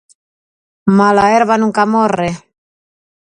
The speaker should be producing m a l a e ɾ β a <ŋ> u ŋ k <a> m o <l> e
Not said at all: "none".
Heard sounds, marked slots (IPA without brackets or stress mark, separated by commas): n, a, r